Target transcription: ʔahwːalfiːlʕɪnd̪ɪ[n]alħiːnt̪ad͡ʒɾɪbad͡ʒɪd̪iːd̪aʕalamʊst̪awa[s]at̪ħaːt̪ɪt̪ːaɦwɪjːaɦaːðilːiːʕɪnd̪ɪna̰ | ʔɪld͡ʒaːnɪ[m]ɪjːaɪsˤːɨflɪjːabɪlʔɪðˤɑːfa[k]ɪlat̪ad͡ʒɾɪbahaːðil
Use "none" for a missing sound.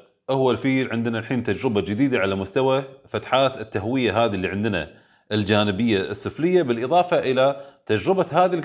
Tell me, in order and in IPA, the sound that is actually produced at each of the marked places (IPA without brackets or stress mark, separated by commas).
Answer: n, f, b, ʔ